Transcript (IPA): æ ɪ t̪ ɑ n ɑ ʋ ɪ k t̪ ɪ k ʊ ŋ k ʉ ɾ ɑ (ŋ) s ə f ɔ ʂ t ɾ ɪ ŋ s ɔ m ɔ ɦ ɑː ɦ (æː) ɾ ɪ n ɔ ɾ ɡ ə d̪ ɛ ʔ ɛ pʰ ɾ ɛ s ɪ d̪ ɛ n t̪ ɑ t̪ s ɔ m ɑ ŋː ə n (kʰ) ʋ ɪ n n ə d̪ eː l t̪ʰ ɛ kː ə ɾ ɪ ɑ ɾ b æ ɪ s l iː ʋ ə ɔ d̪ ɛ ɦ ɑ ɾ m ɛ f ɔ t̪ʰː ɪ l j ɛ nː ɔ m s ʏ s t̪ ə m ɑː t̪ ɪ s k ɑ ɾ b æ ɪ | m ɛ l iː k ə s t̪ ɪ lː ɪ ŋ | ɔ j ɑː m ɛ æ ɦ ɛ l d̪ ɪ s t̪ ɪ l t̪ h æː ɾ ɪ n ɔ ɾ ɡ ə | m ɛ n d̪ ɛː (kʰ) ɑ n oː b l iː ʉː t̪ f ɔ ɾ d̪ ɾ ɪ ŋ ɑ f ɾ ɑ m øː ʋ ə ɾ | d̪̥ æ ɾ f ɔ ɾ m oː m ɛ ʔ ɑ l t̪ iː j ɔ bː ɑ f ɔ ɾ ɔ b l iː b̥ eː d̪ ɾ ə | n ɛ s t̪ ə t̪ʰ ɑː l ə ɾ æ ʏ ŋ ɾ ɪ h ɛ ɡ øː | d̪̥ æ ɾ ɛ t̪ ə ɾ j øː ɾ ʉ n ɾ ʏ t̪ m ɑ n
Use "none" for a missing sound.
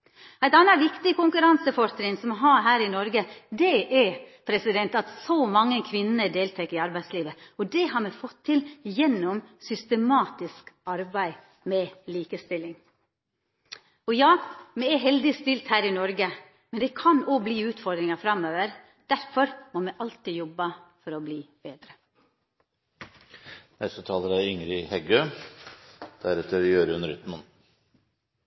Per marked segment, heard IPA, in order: n, æː, kʰ, kʰ

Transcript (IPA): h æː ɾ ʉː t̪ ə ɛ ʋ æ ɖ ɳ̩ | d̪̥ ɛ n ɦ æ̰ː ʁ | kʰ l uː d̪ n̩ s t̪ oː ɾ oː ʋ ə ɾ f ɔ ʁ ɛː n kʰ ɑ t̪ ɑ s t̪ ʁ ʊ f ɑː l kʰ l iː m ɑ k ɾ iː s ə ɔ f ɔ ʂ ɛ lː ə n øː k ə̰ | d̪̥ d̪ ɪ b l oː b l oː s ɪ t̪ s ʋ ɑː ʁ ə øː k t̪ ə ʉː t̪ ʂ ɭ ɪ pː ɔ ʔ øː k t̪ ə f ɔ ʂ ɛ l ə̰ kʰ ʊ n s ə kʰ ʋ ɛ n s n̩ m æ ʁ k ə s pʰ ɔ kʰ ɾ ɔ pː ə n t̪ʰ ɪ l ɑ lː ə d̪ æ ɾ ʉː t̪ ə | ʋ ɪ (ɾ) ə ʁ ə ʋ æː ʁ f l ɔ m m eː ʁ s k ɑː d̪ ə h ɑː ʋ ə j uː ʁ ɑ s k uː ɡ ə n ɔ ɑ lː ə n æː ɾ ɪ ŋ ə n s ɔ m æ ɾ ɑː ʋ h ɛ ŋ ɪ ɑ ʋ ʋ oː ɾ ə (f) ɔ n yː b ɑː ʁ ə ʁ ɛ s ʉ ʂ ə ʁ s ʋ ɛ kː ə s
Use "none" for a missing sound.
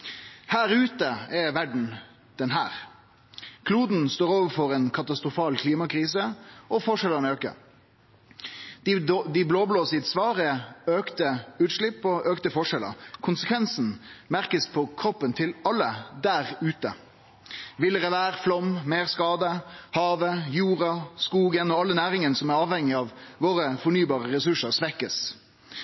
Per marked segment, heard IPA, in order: l, f

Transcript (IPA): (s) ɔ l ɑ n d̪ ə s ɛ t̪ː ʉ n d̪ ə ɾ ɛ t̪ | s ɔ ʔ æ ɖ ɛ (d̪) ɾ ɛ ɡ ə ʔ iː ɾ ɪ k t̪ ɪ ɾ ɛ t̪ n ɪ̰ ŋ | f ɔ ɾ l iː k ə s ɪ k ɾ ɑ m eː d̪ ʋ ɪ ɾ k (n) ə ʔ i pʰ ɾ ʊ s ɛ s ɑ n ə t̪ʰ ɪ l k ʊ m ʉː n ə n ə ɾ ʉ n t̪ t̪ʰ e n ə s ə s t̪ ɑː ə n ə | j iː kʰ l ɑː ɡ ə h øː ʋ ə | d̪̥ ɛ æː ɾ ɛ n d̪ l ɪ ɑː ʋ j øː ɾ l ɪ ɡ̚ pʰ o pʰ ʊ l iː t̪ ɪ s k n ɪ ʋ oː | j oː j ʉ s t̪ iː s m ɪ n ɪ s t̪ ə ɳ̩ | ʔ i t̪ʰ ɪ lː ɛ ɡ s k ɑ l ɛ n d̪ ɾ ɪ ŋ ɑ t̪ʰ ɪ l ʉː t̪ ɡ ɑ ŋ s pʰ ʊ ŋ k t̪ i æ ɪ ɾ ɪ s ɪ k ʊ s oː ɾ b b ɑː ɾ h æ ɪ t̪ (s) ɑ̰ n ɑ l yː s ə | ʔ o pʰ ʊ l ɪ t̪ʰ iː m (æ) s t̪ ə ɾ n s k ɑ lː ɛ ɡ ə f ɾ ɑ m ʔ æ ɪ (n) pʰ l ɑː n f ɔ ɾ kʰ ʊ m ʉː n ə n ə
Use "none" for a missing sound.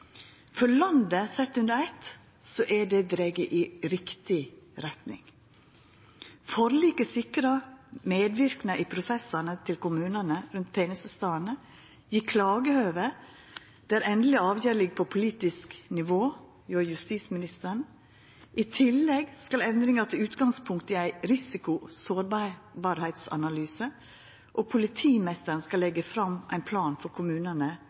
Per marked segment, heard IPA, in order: f, d̪, n, s, ɛ, n

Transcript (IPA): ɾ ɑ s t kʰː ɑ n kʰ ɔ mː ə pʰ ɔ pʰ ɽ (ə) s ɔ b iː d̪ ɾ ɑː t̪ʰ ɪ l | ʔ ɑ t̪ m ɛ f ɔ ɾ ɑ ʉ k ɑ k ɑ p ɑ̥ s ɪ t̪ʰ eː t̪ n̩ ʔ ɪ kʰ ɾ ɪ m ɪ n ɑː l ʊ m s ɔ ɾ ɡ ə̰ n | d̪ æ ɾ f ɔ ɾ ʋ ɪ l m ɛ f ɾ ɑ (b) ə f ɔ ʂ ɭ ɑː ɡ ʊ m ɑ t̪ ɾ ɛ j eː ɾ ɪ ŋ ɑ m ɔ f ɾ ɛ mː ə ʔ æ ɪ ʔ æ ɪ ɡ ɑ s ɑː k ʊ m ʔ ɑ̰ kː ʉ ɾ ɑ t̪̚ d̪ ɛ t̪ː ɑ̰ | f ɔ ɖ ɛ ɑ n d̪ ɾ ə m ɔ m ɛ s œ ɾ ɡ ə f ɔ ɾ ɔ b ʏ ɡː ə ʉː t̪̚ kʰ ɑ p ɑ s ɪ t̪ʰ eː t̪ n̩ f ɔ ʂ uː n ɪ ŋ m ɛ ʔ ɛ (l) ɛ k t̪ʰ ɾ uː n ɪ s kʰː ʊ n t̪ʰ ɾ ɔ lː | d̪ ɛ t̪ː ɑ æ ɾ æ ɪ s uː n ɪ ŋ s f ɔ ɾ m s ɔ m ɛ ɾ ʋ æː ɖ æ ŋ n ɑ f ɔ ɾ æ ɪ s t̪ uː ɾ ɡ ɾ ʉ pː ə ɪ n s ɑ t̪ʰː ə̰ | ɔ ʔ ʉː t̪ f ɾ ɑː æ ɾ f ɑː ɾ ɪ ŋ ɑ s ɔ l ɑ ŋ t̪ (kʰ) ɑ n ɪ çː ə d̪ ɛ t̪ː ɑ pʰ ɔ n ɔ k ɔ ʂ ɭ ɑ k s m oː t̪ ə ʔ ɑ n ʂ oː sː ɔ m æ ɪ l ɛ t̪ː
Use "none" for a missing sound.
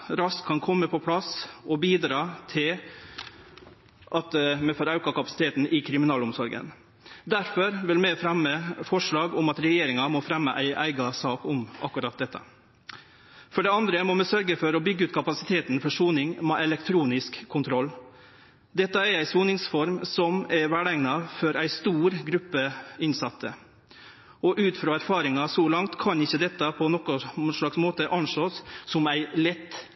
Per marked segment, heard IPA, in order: ɑ, m, l, kʰ

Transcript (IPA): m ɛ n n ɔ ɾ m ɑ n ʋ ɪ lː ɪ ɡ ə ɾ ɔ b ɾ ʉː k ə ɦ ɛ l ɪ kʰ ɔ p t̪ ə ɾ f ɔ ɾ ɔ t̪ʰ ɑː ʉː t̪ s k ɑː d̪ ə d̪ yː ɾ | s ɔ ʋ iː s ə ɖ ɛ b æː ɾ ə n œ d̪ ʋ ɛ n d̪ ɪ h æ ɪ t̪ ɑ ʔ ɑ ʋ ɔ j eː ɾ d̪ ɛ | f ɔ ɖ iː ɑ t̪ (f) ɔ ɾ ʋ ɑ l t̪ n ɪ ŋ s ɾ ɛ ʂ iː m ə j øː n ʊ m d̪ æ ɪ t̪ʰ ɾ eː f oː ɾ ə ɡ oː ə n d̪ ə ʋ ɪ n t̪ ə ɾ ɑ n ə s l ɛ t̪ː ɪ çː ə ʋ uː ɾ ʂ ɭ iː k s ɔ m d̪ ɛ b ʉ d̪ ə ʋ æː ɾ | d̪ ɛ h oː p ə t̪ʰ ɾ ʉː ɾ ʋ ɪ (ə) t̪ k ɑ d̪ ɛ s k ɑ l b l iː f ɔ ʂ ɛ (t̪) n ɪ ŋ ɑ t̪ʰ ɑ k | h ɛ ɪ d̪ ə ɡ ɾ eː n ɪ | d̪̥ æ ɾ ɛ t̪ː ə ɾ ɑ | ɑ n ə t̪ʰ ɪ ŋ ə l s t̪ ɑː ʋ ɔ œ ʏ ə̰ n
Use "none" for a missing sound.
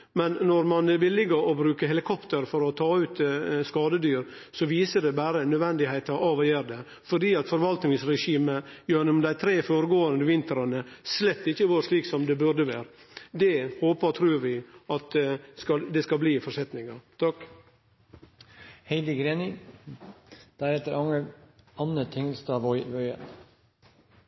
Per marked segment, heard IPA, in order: f, ɑ, t̪

